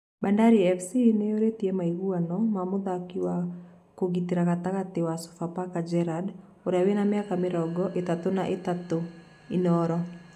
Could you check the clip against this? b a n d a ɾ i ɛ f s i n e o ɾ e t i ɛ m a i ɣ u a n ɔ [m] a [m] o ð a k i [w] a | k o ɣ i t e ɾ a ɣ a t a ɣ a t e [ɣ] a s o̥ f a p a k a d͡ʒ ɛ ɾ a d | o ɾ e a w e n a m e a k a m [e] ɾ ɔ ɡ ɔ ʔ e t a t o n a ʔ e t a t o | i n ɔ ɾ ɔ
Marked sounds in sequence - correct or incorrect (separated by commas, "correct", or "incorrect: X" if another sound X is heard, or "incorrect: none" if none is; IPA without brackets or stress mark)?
correct, correct, correct, incorrect: w, correct